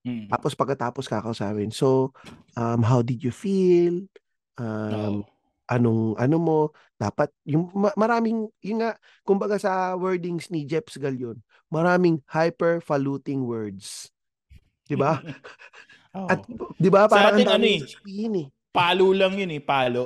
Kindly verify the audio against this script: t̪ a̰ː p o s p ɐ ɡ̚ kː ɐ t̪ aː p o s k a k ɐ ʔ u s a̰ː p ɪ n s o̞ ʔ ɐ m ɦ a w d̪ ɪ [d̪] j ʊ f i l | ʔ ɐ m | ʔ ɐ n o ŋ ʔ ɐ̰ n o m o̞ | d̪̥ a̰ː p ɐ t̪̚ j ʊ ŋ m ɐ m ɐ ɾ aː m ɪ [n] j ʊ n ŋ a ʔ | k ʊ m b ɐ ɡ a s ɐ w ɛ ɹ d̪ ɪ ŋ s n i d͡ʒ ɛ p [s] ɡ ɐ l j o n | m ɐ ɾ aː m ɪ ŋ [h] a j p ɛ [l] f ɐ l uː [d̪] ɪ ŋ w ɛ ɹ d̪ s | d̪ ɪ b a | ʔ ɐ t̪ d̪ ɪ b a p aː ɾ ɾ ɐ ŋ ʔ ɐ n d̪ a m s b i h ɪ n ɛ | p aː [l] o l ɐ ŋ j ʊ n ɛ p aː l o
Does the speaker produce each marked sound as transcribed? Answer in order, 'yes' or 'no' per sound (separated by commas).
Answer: yes, no, yes, yes, no, no, yes